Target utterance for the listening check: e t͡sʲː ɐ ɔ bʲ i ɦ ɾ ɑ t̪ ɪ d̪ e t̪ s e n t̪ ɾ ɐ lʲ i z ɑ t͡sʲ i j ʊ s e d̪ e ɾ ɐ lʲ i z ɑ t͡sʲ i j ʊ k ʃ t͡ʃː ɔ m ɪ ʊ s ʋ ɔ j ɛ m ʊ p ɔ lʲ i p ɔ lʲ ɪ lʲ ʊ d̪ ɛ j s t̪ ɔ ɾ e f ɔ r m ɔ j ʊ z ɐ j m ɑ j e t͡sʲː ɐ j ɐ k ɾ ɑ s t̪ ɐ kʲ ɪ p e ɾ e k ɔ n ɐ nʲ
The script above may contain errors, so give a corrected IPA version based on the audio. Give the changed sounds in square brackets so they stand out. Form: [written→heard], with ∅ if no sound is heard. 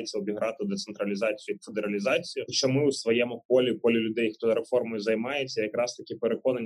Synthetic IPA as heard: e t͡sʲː ɐ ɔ bʲ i ɦ ɾ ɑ t̪ ɪ d̪ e t̪ s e n t̪ ɾ ɐ lʲ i z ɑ t͡sʲ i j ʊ [s→f] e d̪ e ɾ ɐ lʲ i z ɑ t͡sʲ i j ʊ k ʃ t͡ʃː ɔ m ɪ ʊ s ʋ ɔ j ɛ m ʊ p ɔ lʲ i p ɔ lʲ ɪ lʲ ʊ d̪ ɛ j [s→x] t̪ ɔ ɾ e f ɔ r m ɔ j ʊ z ɐ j m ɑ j e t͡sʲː ɐ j ɐ k ɾ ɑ s t̪ ɐ kʲ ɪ p e ɾ e k ɔ n ɐ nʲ